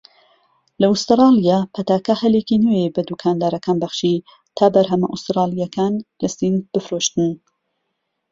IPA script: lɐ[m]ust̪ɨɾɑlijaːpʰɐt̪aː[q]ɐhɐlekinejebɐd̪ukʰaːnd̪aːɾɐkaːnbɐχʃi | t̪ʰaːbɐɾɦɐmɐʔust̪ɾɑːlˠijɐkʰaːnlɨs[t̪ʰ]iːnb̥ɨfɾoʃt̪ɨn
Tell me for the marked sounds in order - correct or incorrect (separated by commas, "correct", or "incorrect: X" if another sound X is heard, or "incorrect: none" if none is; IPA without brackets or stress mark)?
incorrect: none, incorrect: k, incorrect: t̪